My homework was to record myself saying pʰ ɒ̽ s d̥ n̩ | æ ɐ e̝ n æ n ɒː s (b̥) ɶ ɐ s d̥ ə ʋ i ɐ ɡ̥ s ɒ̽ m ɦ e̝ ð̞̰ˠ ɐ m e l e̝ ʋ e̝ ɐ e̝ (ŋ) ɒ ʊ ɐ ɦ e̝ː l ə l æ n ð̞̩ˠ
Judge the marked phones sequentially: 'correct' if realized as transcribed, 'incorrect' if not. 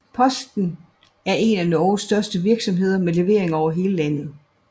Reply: incorrect, correct

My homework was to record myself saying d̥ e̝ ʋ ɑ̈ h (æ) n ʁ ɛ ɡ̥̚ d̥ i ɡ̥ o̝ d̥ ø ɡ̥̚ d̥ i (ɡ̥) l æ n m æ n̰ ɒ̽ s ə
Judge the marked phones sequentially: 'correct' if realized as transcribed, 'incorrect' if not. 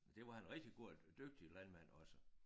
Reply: correct, incorrect

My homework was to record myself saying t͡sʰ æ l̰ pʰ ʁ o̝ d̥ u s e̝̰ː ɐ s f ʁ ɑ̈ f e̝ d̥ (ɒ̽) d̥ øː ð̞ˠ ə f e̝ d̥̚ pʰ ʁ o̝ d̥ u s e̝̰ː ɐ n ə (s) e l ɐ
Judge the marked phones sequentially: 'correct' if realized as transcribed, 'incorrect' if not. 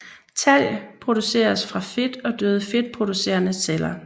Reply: correct, correct

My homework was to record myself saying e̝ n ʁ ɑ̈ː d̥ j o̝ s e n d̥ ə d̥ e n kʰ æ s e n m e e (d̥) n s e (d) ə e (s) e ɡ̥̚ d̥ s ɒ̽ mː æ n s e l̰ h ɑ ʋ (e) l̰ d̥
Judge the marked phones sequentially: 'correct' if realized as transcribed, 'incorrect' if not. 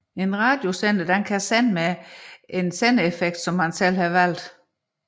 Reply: incorrect, incorrect, incorrect, incorrect

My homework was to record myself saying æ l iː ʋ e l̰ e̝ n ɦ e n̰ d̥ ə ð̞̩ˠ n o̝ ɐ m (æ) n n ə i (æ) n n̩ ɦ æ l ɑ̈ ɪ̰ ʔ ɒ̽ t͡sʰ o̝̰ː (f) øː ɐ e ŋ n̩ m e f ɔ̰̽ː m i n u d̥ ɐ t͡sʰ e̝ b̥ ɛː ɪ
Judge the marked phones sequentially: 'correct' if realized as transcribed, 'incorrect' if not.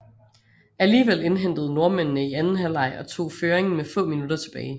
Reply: incorrect, correct, correct

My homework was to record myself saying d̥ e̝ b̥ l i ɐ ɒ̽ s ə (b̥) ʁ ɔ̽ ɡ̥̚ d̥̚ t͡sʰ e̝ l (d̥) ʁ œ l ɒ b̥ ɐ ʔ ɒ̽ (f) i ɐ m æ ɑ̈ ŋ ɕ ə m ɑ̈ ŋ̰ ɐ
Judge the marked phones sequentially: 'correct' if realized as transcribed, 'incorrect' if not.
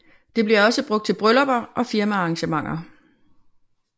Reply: correct, incorrect, correct

